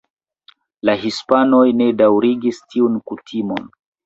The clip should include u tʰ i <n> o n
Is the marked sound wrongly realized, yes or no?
yes